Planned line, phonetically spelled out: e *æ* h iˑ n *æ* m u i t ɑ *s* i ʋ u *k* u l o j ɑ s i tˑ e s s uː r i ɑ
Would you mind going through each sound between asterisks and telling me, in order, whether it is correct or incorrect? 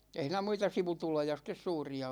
incorrect, correct, correct, incorrect

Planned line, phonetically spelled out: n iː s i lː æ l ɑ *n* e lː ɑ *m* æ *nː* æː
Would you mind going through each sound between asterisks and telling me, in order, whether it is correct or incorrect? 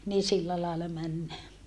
incorrect, correct, correct

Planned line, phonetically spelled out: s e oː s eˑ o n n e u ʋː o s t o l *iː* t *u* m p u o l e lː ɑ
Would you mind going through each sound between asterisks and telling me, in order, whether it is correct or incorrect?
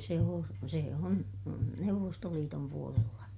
correct, incorrect

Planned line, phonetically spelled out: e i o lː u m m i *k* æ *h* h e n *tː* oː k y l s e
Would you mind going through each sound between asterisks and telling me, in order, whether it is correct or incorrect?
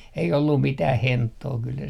incorrect, correct, correct

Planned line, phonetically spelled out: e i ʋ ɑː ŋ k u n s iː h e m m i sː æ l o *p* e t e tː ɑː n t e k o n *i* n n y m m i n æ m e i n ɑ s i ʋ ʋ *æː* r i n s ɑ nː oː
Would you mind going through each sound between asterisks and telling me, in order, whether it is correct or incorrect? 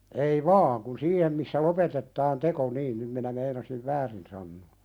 correct, incorrect, correct

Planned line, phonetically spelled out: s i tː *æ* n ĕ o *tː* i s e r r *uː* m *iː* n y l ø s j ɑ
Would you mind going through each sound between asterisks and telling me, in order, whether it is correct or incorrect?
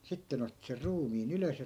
incorrect, correct, correct, correct

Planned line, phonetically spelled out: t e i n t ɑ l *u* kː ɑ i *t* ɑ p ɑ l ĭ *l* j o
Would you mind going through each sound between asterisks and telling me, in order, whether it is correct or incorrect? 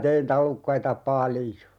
correct, correct, incorrect

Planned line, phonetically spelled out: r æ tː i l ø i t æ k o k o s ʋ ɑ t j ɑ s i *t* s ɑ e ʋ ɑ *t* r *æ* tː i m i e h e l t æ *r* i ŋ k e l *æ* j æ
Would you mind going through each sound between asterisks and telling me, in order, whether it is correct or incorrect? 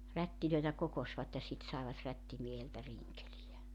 correct, correct, correct, correct, incorrect

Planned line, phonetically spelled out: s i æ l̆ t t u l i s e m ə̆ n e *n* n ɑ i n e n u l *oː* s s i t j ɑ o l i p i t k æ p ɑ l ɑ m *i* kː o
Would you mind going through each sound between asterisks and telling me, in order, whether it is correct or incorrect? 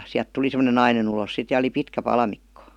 correct, incorrect, correct

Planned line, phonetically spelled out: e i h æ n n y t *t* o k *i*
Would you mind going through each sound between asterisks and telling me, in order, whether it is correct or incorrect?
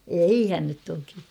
correct, correct

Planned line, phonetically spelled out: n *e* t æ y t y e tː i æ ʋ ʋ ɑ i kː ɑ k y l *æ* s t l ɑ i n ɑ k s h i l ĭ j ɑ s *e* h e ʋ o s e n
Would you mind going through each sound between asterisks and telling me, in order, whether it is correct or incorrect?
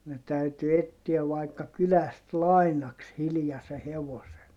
correct, correct, correct

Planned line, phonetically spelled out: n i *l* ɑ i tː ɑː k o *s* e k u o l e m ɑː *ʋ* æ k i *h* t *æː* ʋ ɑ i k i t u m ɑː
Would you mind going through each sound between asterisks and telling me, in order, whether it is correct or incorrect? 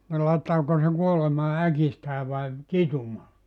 correct, correct, incorrect, incorrect, correct

